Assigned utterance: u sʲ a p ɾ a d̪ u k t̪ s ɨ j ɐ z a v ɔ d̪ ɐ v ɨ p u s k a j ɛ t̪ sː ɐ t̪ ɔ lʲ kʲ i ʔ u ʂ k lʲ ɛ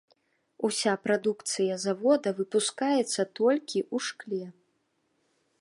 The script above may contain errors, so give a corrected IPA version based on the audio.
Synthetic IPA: u sʲ a p ɾ a d̪ u k t̪ s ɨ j ɐ z a v ɔ d̪ ɐ v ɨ p u s k a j ɛ t̪ sː ɐ t̪ ɔ lʲ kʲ i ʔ u ʂ k lʲ ɛ